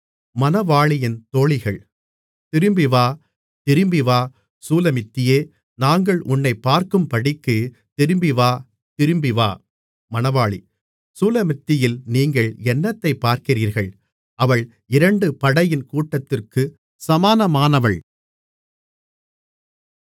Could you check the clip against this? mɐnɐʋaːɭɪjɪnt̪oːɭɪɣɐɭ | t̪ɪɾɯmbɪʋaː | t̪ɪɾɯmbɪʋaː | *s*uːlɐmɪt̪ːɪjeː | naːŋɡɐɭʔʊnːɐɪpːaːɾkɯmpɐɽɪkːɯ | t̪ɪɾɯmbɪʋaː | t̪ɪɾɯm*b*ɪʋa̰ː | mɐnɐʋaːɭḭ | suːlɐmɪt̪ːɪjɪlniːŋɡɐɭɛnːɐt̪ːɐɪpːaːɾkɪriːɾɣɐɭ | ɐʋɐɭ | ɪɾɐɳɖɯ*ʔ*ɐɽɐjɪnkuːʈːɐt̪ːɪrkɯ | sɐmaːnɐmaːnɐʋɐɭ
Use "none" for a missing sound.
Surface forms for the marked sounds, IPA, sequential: s, b, p

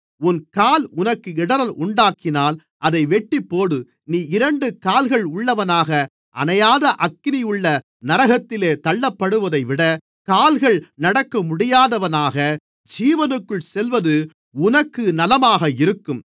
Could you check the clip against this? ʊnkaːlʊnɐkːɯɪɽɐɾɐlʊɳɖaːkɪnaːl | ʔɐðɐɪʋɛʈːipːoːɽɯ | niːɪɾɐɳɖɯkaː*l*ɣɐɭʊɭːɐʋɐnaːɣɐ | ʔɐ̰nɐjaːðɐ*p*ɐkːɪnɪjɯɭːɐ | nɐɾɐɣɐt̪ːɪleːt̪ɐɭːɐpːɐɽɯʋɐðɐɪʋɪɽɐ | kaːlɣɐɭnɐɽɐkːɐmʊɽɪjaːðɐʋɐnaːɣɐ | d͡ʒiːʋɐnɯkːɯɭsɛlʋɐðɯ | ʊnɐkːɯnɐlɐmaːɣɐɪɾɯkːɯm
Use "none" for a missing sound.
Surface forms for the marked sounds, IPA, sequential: l, ʔ

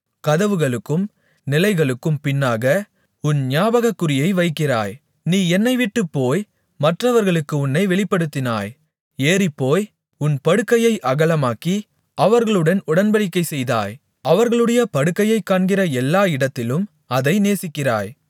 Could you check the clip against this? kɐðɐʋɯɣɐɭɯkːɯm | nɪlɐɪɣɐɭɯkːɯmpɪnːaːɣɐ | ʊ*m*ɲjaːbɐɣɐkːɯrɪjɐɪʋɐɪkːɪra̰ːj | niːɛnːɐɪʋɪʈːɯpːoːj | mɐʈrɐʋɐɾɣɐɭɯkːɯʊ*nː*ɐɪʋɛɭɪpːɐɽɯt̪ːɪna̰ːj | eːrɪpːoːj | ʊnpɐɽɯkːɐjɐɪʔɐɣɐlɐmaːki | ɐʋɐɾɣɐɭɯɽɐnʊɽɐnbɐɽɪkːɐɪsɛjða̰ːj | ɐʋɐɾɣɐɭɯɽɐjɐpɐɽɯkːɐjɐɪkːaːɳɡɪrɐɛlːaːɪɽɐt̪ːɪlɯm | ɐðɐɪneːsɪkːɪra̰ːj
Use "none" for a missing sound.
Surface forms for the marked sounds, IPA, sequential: n, nː

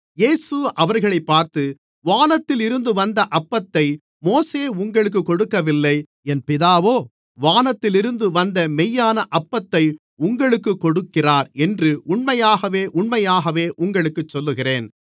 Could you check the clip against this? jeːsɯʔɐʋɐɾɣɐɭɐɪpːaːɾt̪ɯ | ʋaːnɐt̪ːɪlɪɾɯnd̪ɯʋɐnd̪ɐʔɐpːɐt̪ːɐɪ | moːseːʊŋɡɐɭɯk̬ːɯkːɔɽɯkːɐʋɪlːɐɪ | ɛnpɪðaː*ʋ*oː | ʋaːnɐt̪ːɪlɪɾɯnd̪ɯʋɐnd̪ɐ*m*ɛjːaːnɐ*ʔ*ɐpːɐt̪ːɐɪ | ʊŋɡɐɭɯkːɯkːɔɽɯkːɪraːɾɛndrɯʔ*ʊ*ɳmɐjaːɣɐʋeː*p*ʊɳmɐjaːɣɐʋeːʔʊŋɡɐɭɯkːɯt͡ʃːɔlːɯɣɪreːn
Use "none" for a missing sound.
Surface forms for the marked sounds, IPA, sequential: ʋ, m, ʔ, ʊ, ʔ

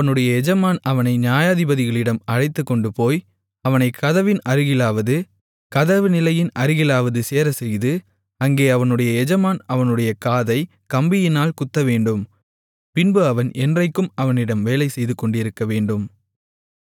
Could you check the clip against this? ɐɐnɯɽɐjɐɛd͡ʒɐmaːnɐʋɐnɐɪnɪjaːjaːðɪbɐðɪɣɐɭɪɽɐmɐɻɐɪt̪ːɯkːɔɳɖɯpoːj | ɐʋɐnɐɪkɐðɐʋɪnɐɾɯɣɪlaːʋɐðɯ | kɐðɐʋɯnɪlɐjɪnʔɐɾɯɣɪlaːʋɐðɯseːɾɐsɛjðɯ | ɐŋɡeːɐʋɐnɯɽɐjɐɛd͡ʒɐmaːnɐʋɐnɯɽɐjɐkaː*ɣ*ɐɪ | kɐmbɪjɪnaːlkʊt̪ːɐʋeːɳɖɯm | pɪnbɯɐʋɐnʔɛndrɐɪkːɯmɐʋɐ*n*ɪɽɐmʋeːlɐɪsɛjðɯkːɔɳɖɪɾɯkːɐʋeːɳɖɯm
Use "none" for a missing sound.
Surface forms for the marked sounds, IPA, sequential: ð, n

